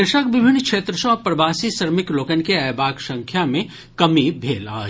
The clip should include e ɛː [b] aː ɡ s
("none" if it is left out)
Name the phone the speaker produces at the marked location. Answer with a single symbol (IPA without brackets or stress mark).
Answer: b